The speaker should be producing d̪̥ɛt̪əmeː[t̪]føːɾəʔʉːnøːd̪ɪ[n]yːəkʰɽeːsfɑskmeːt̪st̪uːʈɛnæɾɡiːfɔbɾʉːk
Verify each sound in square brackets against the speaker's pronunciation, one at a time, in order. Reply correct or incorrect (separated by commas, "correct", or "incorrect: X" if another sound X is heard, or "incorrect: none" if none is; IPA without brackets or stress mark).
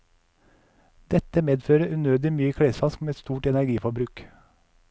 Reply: incorrect: d̪, incorrect: m